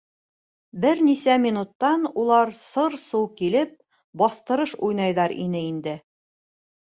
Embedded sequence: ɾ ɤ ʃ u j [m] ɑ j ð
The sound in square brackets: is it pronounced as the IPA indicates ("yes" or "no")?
no